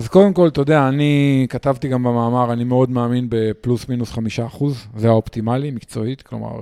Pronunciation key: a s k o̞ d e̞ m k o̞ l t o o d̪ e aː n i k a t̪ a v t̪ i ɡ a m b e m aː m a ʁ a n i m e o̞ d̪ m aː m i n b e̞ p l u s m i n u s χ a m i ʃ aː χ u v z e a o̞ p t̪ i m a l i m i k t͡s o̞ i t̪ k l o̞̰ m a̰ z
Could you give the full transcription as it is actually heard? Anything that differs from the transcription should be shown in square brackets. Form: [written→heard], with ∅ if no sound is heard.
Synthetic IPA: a [s→z] k o̞ d e̞ m k o̞ l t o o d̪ e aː n i k a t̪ a v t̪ i ɡ a m b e m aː m a ʁ a n i m e o̞ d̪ m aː m i n b e̞ p l u s m i n u s χ a m i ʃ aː χ u [v→z] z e a o̞ p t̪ i m a l i m i k t͡s o̞ i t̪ k l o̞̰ m a̰ [z→ʁ]